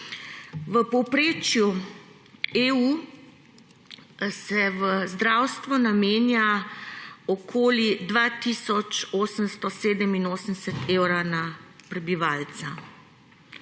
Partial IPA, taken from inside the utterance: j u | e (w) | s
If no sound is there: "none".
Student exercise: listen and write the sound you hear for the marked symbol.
u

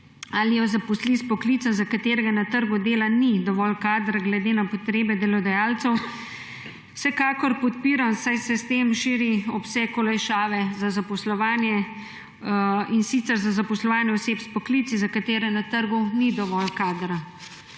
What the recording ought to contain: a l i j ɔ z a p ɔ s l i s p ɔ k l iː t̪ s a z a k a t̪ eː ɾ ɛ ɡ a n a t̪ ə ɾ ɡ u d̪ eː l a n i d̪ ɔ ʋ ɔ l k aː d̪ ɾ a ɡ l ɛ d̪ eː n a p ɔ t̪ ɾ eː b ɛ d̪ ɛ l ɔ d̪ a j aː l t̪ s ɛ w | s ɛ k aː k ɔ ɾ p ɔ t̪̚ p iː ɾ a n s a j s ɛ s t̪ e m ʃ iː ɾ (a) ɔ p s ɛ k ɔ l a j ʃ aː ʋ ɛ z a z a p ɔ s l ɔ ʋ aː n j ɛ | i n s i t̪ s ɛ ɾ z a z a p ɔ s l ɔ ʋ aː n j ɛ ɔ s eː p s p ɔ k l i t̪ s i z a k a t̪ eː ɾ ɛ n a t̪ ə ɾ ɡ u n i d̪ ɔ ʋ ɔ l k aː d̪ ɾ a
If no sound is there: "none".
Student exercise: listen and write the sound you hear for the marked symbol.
i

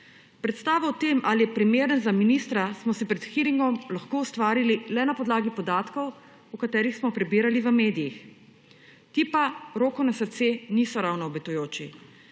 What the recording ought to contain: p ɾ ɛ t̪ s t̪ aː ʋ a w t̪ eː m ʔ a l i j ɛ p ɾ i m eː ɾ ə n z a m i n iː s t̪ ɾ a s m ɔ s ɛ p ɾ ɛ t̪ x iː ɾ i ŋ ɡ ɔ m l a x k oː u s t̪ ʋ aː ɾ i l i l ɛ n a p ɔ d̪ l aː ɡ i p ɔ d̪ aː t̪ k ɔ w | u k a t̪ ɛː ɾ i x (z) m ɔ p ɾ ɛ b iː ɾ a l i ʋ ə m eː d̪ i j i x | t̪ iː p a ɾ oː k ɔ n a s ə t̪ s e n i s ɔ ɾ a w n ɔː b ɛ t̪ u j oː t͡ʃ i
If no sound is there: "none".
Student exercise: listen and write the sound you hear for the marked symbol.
s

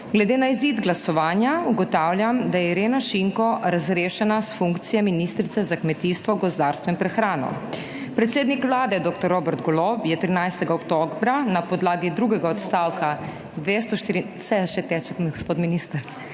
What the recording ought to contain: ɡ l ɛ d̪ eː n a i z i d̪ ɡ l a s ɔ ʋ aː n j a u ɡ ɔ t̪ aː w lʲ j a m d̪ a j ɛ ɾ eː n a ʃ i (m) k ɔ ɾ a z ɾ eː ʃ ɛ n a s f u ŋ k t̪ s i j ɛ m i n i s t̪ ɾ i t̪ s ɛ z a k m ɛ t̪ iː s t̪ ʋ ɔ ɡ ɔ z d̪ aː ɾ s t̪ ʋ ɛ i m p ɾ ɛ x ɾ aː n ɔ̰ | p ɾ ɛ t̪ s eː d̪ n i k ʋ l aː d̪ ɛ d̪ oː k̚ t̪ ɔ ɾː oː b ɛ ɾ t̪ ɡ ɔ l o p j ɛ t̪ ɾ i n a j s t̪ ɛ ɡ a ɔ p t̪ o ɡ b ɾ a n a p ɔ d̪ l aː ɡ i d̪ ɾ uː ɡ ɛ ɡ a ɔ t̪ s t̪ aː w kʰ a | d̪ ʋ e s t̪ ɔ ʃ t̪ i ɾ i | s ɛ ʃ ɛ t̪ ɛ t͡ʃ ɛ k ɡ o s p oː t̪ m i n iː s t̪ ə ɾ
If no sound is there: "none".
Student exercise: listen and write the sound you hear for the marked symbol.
ŋ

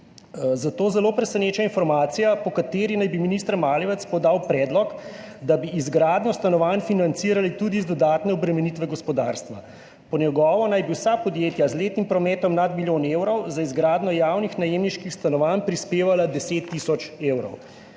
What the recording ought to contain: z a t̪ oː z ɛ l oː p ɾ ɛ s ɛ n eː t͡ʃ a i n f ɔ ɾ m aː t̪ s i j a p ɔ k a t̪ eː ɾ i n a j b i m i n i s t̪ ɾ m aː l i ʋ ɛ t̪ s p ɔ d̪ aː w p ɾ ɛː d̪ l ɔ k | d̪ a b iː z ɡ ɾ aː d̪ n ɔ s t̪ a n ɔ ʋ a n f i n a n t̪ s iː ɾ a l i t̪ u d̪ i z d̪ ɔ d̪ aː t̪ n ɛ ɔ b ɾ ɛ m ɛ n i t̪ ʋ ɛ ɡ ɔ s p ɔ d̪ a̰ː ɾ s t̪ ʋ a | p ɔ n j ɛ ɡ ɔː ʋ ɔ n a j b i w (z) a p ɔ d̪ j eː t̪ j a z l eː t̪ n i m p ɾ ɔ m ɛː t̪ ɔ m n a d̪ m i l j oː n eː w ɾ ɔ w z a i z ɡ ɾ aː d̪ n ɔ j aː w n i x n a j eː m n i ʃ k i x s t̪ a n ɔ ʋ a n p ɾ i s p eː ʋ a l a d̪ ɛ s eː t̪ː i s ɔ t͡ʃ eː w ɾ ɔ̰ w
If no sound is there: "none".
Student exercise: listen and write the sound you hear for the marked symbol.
s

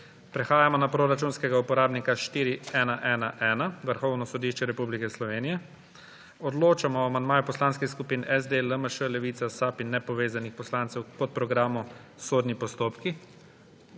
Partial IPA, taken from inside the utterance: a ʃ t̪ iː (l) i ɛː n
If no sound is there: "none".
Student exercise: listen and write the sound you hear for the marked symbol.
ɾ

